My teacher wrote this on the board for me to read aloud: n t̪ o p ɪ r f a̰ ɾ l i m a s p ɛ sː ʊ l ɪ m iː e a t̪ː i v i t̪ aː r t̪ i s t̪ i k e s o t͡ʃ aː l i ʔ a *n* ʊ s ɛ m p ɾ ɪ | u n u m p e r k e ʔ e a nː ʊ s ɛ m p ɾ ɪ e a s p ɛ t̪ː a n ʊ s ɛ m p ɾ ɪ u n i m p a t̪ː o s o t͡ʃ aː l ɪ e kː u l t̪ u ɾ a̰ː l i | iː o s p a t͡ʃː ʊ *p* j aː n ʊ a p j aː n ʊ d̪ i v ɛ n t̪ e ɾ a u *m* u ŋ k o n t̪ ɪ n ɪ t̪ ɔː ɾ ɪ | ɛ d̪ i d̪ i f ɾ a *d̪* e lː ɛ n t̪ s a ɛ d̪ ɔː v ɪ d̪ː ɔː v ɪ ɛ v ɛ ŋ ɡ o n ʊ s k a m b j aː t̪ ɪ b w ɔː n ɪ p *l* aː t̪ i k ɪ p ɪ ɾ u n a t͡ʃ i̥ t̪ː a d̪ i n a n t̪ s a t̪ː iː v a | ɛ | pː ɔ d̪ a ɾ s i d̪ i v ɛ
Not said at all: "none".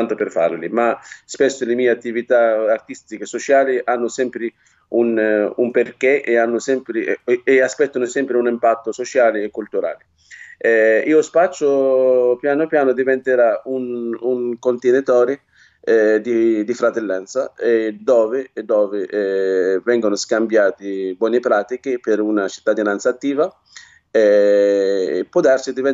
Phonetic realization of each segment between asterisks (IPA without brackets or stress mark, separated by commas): nː, p, n, t̪, ɾ